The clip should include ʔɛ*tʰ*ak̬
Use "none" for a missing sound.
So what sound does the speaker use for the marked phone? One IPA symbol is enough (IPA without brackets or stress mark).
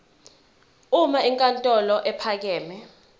pʰ